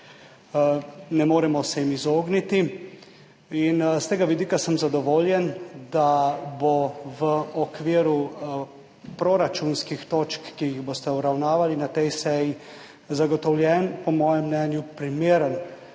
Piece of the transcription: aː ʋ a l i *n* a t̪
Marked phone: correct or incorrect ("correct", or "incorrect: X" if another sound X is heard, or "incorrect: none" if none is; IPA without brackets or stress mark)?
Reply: correct